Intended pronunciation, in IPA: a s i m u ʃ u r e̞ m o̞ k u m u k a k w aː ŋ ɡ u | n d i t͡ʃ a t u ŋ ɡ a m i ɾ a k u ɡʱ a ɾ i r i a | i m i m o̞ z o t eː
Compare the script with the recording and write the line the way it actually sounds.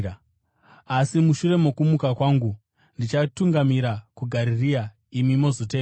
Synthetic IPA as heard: a s i m u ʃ u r e̞ m o̞ k u m u k a k w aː ŋ ɡ u | n d i t͡ʃ a t u ŋ ɡ a m i ɾ a k u ɡʱ a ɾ i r i a | i m i m o̞ z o t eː